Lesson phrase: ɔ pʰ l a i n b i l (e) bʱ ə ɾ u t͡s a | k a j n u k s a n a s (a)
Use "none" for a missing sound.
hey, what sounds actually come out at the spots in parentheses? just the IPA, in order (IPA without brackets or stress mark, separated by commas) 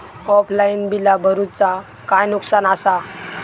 a, a